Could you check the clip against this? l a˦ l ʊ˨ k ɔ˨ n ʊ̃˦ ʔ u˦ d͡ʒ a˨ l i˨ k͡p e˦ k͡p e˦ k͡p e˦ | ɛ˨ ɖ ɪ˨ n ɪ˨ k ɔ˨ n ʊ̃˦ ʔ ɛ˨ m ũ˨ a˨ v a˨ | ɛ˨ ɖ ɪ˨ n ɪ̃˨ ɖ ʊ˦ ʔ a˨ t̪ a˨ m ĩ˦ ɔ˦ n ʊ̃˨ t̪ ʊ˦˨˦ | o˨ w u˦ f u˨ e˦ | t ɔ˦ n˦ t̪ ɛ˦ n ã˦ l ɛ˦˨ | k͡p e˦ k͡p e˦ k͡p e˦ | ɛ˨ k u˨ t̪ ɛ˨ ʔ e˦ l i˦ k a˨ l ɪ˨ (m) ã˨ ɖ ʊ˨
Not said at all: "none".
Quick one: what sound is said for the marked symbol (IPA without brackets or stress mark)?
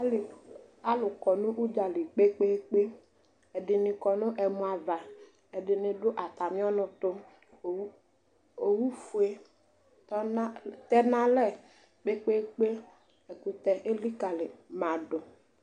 m